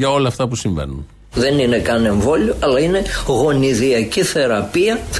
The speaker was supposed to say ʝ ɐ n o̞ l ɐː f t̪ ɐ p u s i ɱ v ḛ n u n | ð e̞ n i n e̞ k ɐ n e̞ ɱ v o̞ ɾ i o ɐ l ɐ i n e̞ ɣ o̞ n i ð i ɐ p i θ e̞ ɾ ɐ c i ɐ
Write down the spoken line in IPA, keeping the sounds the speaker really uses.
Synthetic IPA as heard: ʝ ɐ o̞ l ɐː f t̪ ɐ p u s i ɱ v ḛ n u n | ð e̞ n i n e̞ k ɐ n e̞ ɱ v o̞ l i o ɐ l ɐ i n e̞ ɣ o̞ n i ð i ɐ c i θ e̞ ɾ ɐ p i ɐ